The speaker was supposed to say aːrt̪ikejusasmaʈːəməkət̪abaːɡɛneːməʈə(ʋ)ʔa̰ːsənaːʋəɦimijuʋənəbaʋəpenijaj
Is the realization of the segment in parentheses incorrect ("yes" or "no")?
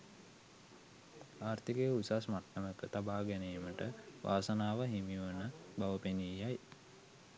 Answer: no